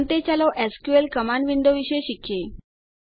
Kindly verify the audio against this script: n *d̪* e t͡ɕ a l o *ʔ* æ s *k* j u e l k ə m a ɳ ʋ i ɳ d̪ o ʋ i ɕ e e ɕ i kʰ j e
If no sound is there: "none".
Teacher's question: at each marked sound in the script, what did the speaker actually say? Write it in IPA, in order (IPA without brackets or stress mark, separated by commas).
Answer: t̪, ʔ, k